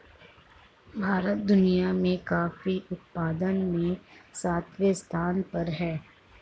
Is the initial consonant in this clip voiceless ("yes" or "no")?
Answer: no